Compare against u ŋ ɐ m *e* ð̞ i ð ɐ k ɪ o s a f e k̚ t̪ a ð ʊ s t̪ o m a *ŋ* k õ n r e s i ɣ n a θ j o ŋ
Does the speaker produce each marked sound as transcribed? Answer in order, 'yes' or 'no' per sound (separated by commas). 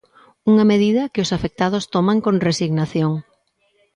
yes, yes